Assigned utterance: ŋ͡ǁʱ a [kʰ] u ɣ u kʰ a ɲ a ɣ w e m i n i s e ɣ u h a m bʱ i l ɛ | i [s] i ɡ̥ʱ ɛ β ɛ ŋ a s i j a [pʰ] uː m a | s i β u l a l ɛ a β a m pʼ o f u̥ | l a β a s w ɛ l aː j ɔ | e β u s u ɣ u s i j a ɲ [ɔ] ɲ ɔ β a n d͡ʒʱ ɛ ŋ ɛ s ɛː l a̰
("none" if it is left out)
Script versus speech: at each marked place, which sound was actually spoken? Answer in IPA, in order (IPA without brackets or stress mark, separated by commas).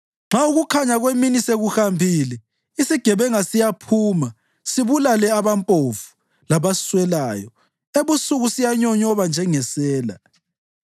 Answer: none, s, pʰ, ɔ